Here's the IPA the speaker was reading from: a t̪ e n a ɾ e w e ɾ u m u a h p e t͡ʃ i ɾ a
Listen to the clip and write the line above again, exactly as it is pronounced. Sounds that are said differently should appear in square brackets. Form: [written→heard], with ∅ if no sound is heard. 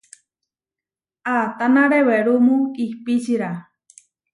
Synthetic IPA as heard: a t̪ [e→a] n a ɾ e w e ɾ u m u [a→i] h p [e→i] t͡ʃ i ɾ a